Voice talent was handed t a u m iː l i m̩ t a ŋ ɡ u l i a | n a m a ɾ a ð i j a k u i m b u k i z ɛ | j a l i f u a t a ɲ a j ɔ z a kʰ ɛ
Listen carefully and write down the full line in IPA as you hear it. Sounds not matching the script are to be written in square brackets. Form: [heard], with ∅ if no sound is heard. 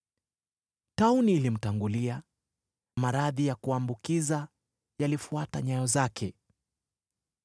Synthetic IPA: t a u [n] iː l i m̩ t a ŋ ɡ u l i a | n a m a ɾ a ð i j a k u [a] m b u k i z [a] | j a l i f u a t a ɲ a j ɔ z a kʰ ɛ